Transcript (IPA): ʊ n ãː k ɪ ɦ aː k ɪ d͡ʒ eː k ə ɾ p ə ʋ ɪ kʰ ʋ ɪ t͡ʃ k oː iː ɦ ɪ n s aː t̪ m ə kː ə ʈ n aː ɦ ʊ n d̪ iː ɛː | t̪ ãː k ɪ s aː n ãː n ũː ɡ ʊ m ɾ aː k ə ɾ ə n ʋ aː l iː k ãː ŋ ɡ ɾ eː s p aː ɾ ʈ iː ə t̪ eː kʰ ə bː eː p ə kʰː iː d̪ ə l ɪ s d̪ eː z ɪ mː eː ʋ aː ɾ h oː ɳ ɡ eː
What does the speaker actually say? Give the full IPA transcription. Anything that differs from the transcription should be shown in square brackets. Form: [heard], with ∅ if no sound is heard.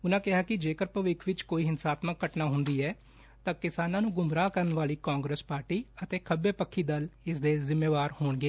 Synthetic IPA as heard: ʊ n ãː k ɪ ɦ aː k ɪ d͡ʒ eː k ə ɾ p ə ʋ ɪ kʰ ʋ ɪ t͡ʃ k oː iː ɦ ɪ n s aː t̪ m ə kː ə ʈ n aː ɦ ʊ n d̪ iː ɛː | t̪ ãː k ɪ s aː n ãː n ũː ɡ ʊ m ɾ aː k ə ɾ ə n ʋ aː l iː k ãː ŋ ɡ ɾ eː s p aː ɾ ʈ iː ə t̪ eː kʰ ə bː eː p ə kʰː iː d̪ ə l ɪ s d̪ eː z ɪ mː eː ʋ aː ɾ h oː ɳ ɡ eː